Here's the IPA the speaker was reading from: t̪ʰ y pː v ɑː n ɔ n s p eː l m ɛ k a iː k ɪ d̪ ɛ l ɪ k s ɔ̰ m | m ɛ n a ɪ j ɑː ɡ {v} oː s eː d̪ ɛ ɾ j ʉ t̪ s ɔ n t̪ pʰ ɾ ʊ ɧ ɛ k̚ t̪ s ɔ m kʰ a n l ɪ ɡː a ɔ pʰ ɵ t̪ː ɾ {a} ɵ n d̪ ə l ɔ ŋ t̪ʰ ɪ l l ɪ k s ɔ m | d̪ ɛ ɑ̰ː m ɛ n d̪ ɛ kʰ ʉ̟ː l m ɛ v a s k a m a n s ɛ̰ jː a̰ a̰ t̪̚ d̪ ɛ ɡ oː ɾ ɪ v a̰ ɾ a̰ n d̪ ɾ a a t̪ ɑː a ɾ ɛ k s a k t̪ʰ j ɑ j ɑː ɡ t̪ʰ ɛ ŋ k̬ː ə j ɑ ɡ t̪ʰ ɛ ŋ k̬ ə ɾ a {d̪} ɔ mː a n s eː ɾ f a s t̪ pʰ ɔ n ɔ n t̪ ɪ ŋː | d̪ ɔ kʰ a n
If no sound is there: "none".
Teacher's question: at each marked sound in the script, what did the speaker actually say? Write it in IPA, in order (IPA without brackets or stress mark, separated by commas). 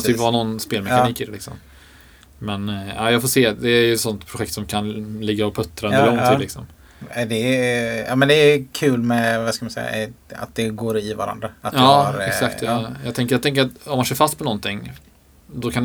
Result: f, a, t̪